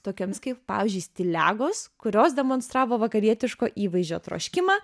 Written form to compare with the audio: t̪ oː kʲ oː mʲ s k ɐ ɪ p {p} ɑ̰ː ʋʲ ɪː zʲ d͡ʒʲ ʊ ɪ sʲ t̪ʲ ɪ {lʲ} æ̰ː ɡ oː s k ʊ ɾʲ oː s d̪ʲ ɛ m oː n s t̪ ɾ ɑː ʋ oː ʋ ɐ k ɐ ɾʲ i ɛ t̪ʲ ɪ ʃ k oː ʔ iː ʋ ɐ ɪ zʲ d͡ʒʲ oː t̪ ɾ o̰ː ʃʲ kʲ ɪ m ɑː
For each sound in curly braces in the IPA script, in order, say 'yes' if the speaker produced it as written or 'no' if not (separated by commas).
yes, yes